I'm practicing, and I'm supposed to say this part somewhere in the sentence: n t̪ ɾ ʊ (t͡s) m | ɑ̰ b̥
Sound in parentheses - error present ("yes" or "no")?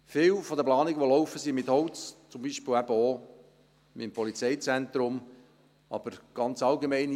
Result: yes